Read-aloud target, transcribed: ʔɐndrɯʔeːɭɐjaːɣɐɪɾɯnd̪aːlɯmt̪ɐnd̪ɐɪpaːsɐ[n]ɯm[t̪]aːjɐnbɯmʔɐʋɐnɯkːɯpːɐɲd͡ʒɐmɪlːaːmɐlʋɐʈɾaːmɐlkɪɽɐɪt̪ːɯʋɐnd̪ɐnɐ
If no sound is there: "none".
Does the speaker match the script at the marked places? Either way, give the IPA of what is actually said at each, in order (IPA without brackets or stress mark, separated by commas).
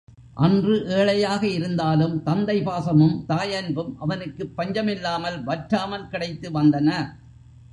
m, t̪